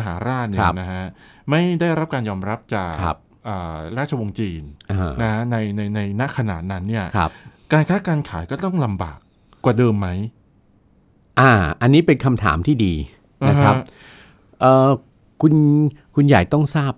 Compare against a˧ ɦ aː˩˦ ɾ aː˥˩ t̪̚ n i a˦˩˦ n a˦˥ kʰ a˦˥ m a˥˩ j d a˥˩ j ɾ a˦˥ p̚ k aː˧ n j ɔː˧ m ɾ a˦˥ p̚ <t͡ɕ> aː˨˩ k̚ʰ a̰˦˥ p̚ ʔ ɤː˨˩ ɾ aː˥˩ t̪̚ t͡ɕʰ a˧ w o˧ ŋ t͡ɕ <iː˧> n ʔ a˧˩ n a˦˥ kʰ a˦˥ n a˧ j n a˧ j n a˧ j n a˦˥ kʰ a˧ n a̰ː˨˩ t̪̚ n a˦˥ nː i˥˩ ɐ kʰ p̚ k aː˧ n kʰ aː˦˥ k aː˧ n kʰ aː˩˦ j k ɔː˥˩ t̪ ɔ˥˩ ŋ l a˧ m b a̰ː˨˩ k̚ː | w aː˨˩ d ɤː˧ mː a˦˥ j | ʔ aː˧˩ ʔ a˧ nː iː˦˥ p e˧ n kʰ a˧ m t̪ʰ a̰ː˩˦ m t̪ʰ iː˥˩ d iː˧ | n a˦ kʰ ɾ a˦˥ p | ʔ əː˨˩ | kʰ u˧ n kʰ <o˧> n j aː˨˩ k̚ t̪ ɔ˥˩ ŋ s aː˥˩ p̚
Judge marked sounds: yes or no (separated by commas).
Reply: yes, yes, no